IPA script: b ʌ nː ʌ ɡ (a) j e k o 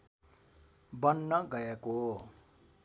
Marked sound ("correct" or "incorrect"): incorrect